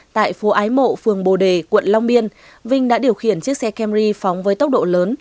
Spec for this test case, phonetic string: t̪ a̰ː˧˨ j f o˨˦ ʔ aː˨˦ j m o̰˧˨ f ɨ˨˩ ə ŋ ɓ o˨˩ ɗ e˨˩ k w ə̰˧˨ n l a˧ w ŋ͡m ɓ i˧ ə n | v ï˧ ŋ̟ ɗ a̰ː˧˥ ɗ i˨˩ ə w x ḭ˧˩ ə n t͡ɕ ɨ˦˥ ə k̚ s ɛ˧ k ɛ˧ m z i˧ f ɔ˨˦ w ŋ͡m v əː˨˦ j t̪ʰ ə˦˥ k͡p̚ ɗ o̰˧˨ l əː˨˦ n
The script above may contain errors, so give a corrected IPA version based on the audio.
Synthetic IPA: t̪ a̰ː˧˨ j f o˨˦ ʔ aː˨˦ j m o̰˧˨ f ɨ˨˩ ə ŋ ɓ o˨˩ ɗ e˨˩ k w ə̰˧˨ n l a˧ w ŋ͡m ɓ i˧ ə n | v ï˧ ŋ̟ ɗ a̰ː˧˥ ɗ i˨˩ ə w x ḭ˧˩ ə n t͡ɕ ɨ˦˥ ə k̚ s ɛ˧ k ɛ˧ m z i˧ f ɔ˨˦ w ŋ͡m v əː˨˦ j t̪ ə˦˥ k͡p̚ ɗ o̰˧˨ l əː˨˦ n